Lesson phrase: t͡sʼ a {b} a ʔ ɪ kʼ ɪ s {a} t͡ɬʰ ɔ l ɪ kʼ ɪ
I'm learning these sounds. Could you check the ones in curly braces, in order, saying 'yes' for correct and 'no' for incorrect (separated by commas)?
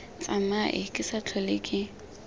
no, yes